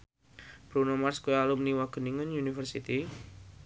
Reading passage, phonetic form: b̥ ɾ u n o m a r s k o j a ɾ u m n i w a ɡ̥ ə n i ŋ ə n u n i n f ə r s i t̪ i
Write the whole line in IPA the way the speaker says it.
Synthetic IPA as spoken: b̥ ɾ u n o m a r s k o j a l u m n i w a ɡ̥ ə n i ŋ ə n u n i f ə r s i t̪ i